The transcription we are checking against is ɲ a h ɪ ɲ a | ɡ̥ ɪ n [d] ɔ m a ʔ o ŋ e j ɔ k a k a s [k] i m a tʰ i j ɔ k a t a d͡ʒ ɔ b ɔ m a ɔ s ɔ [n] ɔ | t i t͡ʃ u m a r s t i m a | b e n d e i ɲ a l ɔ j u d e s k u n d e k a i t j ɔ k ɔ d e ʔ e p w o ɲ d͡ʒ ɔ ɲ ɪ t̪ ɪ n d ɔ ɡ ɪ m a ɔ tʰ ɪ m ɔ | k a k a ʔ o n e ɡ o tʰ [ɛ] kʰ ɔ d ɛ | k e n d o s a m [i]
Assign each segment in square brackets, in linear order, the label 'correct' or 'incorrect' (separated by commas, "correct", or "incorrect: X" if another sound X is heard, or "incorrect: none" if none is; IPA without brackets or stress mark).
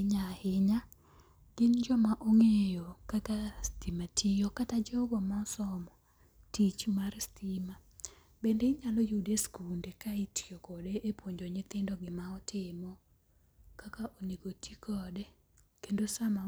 incorrect: d͡ʒ, incorrect: t, incorrect: m, incorrect: i, incorrect: a